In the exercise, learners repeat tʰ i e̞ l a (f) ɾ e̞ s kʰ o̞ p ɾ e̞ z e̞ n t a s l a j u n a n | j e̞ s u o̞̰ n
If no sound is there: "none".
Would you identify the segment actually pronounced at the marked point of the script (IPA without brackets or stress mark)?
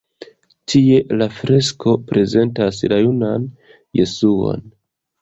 f